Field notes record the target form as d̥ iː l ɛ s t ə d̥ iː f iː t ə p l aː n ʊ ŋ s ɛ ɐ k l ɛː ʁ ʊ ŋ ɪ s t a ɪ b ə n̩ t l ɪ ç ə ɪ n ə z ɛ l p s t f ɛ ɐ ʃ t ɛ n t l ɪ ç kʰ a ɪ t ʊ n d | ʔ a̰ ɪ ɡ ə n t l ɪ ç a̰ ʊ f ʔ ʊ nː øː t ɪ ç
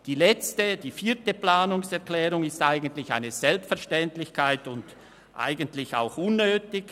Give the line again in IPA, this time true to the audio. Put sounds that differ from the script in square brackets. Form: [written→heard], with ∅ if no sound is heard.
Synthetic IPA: d̥ iː l ɛ [s→t͡s] t ə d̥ iː f iː t ə p l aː n ʊ ŋ s ɛ ɐ k l ɛː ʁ ʊ ŋ ɪ s t a ɪ [b→ɡ] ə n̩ t l ɪ ç [ə→a] ɪ n ə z ɛ l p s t f ɛ ɐ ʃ t ɛ n t l ɪ ç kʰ a ɪ t ʊ n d | ʔ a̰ ɪ ɡ ə n t l ɪ ç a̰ ʊ [f→x] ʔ ʊ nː øː t ɪ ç